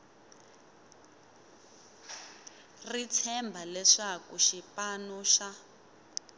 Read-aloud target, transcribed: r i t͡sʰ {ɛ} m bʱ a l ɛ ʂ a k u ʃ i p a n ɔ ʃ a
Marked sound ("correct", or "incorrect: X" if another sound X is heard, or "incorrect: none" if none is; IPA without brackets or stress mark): correct